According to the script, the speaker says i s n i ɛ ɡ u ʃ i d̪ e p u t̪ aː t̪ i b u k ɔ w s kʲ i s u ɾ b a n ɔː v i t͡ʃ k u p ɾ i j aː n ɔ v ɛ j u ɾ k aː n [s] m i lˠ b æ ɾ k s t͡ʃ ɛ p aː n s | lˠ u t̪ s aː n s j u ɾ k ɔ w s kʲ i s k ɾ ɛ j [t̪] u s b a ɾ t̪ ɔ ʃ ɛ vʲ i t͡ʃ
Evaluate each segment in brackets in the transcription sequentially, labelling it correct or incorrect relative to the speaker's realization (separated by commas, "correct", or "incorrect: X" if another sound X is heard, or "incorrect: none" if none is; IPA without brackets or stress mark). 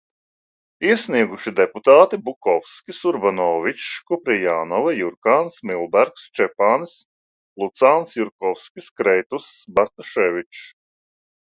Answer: correct, correct